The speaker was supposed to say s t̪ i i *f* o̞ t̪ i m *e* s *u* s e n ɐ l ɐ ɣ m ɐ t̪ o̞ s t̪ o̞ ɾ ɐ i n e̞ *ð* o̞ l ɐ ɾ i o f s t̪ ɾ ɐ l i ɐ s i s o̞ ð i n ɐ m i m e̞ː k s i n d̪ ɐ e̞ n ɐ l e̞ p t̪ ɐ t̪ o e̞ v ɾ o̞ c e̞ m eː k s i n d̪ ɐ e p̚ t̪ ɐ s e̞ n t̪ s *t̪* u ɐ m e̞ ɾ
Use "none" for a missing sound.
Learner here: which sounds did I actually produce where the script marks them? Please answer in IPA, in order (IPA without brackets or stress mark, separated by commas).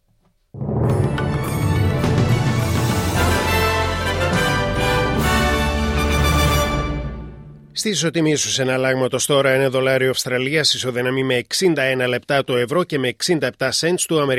s, i, u, ð, t̪